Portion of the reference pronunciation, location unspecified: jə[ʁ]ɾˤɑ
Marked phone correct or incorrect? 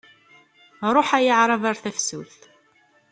incorrect